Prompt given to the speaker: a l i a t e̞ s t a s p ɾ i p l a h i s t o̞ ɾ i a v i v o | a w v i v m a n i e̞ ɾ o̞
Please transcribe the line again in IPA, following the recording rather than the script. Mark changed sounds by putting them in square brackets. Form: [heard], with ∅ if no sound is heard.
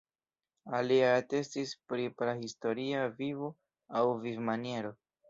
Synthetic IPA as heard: a l i a t e̞ s t [i] s p ɾ i p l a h i s t o̞ ɾ i a v i v o | a w v i v m a n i e̞ ɾ o̞